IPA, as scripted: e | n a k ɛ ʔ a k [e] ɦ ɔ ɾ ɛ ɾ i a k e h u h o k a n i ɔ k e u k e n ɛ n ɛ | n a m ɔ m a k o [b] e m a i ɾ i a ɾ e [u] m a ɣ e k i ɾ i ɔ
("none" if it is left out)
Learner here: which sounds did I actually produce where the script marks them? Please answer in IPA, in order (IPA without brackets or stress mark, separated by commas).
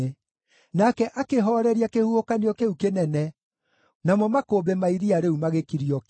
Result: e, b, u